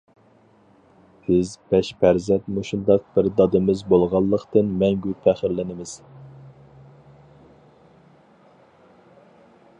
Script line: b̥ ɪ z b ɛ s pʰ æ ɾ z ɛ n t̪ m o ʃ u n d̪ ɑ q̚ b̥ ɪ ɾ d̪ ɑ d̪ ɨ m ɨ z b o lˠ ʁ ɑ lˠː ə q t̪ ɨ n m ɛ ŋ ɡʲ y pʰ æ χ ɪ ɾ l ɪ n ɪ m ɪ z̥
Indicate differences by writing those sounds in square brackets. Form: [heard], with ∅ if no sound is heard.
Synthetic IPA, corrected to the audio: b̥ ɪ z b ɛ [ʃ] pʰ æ ɾ z ɛ n t̪ m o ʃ u n d̪ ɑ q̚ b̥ ɪ ɾ d̪ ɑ d̪ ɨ m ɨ z b o lˠ ʁ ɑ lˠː ə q t̪ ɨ n m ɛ ŋ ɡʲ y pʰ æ χ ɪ ɾ l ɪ n ɪ m ɪ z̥

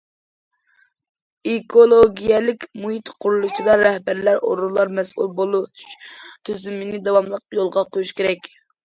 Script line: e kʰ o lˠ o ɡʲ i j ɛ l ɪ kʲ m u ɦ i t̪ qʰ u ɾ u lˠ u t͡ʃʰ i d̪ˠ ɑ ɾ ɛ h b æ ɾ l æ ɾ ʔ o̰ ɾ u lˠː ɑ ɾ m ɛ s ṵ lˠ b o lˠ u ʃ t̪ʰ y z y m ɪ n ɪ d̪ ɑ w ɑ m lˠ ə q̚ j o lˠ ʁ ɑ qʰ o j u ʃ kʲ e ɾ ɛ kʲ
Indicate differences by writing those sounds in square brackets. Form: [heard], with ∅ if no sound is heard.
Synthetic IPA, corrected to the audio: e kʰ o lˠ o ɡʲ i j ɛ l ɪ kʲ m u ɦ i t̪ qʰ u ɾ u lˠ u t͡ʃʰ i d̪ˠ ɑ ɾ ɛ h b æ ɾ l æ ɾ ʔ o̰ ɾ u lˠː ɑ ɾ m ɛ s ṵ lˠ b o lˠ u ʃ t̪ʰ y z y m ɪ n ɪ d̪ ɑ w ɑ m lˠ ə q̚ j o lˠ ʁ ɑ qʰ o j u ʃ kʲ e ɾ ɛ kʲ

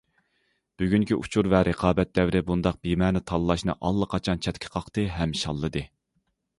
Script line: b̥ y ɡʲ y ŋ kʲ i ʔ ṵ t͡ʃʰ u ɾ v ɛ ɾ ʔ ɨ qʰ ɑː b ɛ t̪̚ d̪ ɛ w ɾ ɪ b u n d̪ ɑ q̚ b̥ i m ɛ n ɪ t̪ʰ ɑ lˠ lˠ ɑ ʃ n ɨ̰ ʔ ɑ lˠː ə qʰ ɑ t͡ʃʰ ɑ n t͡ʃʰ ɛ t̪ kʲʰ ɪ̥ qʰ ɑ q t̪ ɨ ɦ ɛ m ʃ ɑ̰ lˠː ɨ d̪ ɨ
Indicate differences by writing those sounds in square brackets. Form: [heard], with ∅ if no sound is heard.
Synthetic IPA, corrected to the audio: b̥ y ɡʲ y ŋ kʲ i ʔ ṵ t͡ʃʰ u ɾ v ɛ ɾ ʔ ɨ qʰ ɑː b ɛ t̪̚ d̪ ɛ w ɾ ɪ b u n d̪ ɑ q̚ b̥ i m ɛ n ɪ t̪ʰ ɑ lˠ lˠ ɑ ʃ n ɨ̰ ʔ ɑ lˠː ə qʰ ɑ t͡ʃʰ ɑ n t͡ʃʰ ɛ t̪ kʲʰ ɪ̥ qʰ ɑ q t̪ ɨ ɦ ɛ m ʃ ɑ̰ lˠː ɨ d̪ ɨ

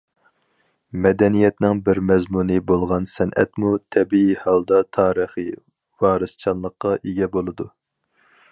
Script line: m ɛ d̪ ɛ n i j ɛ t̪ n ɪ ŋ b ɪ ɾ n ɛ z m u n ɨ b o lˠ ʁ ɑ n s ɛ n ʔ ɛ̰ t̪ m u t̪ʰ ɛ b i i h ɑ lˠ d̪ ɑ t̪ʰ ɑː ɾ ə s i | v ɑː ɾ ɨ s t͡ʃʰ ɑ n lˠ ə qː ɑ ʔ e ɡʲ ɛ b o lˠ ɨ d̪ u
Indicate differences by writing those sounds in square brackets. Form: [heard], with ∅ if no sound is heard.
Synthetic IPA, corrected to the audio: m ɛ d̪ ɛ n i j ɛ t̪ n ɪ ŋ b ɪ ɾ [m] ɛ z m u n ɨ b o lˠ ʁ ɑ n s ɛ n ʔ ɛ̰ t̪ m u t̪ʰ ɛ b i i h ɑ lˠ d̪ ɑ t̪ʰ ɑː ɾ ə [χ] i | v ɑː ɾ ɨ s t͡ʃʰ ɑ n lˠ ə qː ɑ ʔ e ɡʲ ɛ b o lˠ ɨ d̪ u

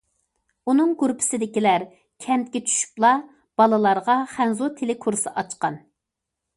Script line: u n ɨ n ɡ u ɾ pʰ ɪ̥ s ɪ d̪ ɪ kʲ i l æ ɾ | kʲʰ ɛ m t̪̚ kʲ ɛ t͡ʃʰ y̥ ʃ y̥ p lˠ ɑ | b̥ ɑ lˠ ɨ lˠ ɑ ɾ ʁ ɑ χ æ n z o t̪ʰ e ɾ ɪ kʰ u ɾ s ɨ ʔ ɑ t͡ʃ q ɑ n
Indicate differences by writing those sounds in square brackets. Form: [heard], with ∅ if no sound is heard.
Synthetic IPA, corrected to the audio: u n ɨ [ŋ] ɡ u ɾ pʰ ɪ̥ s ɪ d̪ ɪ kʲ i l æ ɾ | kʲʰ ɛ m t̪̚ kʲ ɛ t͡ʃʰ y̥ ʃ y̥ p lˠ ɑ | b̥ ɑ lˠ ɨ lˠ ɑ ɾ ʁ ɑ χ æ n z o t̪ʰ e [l] ɪ kʰ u ɾ s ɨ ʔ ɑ t͡ʃ q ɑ n

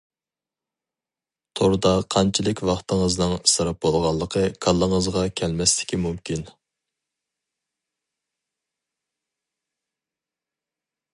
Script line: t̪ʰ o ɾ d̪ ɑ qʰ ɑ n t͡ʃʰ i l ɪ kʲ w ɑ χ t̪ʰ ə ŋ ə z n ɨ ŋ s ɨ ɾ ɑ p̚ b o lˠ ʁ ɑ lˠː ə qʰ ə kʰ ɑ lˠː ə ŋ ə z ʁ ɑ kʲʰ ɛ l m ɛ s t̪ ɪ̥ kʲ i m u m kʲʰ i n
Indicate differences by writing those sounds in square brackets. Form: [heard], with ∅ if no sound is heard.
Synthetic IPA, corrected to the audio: t̪ʰ o ɾ d̪ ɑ qʰ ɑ n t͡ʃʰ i l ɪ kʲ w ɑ χ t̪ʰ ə ŋ ə z n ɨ ŋ s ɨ ɾ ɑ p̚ b o lˠ ʁ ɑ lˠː ə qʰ ə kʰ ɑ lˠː ə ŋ ə z ʁ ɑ kʲʰ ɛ l m ɛ s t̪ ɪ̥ kʲ i m u m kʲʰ i n

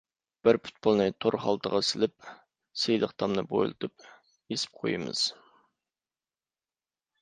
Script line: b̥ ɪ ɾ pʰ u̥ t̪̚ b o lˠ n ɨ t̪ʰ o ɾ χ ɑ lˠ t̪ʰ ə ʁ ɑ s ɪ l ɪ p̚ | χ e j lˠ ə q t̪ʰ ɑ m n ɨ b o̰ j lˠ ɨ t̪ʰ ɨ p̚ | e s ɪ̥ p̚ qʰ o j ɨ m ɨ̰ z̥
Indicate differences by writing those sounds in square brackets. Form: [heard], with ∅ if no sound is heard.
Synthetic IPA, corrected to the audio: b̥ ɪ ɾ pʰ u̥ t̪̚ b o lˠ n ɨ t̪ʰ o ɾ χ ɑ lˠ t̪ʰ ə ʁ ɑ s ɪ l ɪ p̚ | [s] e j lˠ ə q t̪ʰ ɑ m n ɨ b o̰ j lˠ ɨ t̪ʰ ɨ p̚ | e s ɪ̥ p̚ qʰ o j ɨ m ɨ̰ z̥

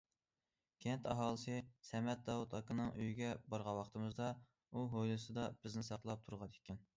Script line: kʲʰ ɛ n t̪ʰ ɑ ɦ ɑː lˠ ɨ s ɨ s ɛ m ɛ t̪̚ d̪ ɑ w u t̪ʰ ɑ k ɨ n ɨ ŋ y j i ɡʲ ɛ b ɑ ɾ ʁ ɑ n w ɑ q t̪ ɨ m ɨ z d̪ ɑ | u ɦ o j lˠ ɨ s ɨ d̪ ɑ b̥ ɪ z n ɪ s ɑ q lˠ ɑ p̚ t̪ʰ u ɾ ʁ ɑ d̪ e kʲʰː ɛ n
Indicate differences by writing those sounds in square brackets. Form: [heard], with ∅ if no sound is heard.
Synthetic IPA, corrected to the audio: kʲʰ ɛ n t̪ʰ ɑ ɦ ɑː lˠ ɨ s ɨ s ɛ m ɛ t̪̚ d̪ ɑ w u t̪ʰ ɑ k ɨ n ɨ ŋ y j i ɡʲ ɛ b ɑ ɾ ʁ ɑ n w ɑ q t̪ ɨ m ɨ z d̪ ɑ | u ɦ o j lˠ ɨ s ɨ d̪ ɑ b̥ ɪ z n ɪ s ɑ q lˠ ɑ p̚ t̪ʰ u ɾ ʁ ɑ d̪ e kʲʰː ɛ n

